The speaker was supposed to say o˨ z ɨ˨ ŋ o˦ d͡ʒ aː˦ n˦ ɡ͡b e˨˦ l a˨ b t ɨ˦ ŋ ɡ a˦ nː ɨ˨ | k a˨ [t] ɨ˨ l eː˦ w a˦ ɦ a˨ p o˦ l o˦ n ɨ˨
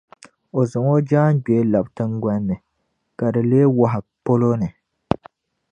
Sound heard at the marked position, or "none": d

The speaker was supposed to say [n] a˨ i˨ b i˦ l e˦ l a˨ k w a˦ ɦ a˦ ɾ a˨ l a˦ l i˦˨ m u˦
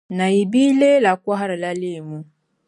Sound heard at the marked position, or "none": n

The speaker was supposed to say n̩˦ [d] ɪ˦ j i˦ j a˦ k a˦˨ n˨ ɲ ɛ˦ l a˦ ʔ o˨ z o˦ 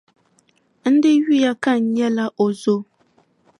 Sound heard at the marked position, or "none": d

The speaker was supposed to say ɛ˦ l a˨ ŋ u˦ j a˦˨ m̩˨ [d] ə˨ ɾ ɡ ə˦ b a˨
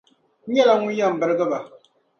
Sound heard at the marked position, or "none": b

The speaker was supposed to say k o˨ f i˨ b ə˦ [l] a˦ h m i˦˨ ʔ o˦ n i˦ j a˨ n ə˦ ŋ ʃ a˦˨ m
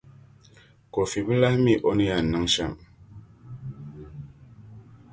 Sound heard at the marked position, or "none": l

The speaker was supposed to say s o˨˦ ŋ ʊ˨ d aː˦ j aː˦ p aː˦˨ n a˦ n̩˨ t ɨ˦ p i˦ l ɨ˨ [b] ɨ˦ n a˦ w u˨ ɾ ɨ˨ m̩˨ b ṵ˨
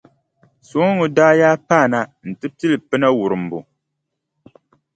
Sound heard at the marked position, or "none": p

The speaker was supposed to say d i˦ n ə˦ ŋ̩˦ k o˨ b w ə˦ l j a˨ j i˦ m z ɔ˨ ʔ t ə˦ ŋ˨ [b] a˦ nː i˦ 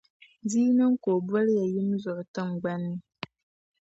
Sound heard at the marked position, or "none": ɡ͡b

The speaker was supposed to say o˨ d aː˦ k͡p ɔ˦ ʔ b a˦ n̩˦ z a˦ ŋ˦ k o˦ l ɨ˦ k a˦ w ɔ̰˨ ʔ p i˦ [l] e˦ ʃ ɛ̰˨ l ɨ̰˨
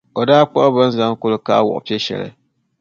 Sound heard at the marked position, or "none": none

